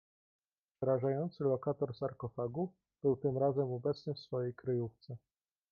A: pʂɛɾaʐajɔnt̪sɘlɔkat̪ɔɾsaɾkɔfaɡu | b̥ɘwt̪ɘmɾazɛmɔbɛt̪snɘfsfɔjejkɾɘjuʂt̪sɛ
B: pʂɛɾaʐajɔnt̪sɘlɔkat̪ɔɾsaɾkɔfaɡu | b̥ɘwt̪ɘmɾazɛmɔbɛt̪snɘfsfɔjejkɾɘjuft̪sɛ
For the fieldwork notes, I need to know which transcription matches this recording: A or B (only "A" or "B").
B